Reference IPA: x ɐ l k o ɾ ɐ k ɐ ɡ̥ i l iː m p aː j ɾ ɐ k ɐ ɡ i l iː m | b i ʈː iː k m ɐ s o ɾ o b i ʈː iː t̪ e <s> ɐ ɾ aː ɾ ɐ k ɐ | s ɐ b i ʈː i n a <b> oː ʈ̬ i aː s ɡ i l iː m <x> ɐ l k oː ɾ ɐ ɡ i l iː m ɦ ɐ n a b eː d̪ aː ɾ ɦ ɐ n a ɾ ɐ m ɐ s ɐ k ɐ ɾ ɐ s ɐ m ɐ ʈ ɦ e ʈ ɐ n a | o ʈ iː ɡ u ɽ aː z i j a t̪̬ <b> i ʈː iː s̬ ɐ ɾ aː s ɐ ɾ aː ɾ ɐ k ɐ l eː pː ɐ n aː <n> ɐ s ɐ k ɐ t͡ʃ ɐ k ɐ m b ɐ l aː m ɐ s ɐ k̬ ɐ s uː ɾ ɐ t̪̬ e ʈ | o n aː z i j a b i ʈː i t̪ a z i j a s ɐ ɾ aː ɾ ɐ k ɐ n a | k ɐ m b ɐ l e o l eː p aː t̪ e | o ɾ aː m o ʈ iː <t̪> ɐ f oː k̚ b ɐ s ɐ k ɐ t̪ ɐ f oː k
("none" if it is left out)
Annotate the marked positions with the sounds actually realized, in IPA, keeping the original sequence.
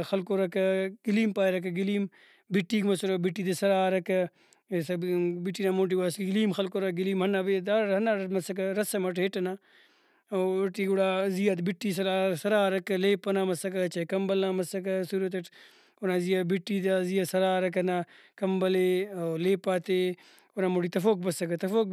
s, m, x, b, m, t̪

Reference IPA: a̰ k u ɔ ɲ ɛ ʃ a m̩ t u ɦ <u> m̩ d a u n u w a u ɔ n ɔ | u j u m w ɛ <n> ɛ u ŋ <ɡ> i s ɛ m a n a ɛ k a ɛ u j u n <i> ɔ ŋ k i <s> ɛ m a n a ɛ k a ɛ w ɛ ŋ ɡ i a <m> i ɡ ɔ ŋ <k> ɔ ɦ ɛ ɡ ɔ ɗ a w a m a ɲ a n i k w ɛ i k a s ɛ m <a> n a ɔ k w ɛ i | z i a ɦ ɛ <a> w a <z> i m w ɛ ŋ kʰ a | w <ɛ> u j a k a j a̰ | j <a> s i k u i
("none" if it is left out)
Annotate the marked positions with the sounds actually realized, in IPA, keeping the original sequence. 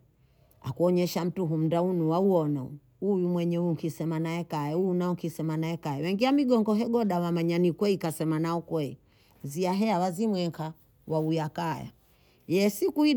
u, ɲ, k, a, s, m, ɡ, a, a, z, a, ɛ

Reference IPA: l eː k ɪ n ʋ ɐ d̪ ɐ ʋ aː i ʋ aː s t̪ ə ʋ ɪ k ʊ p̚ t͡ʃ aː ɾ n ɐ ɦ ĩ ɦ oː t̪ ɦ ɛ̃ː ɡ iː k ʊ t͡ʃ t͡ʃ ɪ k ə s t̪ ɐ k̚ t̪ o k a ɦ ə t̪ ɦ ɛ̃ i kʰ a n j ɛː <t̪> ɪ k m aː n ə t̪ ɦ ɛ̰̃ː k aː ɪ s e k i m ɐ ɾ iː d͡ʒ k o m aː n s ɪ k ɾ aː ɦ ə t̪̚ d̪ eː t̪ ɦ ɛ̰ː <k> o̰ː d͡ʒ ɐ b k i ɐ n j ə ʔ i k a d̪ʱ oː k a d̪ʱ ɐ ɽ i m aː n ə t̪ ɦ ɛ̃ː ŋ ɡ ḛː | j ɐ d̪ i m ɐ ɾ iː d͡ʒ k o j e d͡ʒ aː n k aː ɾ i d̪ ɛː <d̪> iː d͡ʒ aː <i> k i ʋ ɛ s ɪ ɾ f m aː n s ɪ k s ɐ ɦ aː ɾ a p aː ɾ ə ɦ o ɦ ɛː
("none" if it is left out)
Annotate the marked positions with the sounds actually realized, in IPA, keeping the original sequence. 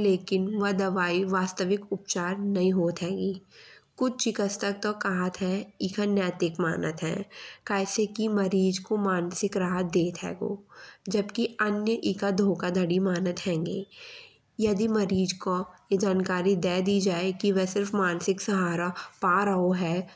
t̪, ɡ, d̪, e

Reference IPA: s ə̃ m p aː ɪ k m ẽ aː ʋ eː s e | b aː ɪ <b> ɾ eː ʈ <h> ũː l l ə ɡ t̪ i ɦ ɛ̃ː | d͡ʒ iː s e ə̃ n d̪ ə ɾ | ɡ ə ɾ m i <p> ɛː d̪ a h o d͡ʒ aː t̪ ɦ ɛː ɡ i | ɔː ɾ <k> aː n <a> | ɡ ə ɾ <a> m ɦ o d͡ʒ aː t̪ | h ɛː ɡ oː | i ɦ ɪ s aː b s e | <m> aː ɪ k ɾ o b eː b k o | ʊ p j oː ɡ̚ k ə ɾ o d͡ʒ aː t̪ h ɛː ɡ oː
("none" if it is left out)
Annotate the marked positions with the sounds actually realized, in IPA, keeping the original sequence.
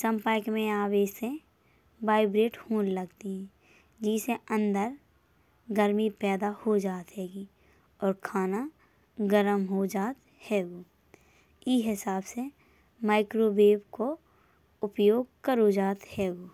b, h, p, kʰ, a, ə, m

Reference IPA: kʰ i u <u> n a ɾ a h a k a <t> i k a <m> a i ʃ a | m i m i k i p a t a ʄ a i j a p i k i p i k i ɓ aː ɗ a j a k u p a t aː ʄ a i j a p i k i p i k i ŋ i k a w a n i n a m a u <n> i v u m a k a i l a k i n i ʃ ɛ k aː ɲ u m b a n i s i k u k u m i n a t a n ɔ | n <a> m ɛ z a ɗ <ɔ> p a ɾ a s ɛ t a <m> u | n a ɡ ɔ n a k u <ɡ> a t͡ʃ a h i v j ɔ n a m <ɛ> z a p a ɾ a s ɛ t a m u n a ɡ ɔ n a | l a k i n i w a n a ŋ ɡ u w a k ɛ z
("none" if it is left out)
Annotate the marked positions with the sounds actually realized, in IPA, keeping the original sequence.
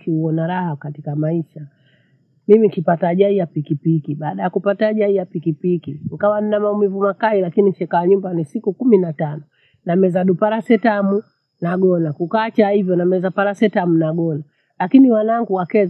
ɔ, t, m, m, a, u, m, k, ɛ

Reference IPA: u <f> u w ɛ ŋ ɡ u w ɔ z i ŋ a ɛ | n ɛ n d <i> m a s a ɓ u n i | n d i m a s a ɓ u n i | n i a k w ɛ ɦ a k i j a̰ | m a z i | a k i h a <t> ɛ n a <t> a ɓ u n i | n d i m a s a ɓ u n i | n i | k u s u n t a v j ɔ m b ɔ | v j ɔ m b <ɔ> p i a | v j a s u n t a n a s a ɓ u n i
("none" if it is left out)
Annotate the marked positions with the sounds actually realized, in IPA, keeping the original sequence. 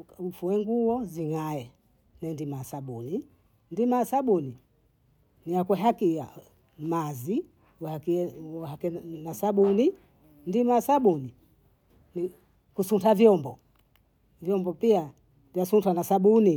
f, i, k, s, ɔ

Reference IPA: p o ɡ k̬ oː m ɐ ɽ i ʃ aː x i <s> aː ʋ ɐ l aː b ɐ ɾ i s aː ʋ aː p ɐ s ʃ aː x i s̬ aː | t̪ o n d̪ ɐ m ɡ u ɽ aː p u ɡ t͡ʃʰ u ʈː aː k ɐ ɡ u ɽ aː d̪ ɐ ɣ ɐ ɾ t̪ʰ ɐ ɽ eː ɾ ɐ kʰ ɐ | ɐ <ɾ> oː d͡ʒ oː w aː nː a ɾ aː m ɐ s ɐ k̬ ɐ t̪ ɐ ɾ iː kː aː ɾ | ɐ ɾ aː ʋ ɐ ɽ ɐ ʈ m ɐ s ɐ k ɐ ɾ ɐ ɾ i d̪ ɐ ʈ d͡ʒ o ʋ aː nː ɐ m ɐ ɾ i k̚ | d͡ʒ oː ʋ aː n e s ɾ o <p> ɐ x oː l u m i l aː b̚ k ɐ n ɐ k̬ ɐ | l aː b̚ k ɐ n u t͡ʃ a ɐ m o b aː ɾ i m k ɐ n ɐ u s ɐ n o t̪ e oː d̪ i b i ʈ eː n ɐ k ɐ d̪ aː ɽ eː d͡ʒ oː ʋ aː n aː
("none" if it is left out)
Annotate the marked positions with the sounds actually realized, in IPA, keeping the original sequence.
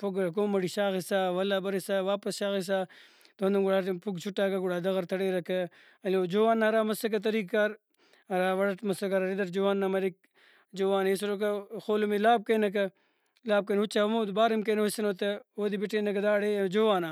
s, l, k

